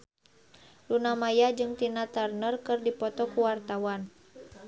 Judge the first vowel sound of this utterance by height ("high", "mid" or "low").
high